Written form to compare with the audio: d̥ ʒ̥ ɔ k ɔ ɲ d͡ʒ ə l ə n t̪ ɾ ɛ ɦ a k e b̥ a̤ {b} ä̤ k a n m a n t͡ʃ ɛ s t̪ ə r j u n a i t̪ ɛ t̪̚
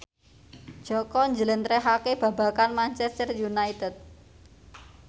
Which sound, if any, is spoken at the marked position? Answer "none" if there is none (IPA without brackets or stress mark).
b